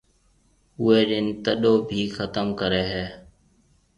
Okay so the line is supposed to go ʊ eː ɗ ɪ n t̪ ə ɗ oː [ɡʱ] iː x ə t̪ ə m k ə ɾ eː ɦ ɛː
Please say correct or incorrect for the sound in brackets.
incorrect: bʱ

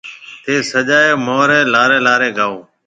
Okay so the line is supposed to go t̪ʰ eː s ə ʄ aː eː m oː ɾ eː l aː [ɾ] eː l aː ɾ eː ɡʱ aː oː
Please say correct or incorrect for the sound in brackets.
correct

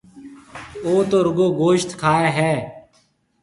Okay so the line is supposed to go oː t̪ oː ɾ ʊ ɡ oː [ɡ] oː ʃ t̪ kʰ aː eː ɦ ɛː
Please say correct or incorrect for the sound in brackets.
correct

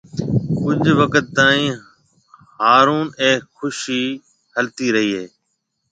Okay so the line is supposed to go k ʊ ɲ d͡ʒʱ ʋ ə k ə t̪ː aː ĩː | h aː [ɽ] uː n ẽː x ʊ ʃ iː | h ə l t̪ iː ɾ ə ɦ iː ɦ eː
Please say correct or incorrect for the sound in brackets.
incorrect: ɾ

